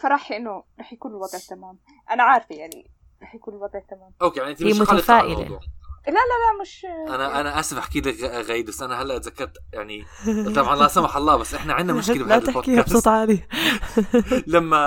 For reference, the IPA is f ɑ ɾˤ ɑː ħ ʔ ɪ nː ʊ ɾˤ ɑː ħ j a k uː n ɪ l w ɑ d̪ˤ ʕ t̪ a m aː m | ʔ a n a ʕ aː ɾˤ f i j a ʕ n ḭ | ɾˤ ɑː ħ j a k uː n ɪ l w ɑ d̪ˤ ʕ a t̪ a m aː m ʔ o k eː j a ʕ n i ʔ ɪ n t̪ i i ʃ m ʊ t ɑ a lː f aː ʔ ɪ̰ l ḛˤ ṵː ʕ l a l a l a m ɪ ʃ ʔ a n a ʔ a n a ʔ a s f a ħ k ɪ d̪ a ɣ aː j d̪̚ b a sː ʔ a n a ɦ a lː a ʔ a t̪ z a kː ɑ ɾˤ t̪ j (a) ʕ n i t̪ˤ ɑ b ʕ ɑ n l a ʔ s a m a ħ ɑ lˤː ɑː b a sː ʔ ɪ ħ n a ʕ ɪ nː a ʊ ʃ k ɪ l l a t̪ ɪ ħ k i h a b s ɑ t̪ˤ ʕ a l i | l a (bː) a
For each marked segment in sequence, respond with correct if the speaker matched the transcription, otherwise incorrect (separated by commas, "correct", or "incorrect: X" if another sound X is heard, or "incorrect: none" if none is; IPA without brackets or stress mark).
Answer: correct, incorrect: mː